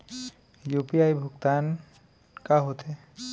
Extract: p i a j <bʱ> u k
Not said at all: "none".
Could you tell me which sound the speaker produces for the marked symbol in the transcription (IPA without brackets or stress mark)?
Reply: bʱ